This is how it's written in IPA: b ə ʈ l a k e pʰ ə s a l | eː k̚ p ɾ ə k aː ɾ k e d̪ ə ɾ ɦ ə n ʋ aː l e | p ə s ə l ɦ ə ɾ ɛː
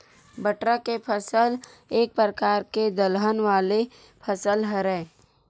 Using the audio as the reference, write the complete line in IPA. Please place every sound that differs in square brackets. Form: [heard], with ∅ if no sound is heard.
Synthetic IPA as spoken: b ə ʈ [ɾ] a k e pʰ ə s [ə] l | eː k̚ p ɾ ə k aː ɾ k e d̪ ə [l] ɦ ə n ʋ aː l e | [pʰ] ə s ə l ɦ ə ɾ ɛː